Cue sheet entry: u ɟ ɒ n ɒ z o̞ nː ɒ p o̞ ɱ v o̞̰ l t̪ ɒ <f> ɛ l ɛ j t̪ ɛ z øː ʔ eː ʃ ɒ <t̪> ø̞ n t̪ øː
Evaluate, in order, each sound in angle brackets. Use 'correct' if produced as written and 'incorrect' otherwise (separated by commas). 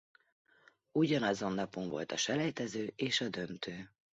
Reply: incorrect, incorrect